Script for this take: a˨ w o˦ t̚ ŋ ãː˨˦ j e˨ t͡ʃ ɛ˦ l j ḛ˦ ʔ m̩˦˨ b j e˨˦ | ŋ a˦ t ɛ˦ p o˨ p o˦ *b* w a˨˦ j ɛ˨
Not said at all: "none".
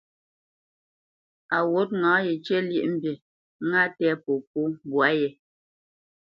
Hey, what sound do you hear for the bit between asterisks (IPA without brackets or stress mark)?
b